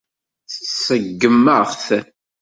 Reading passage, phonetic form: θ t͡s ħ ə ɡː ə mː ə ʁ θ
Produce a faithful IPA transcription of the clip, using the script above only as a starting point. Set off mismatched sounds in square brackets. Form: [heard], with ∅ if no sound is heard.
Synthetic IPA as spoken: θ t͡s [s] ə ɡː ə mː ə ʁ θ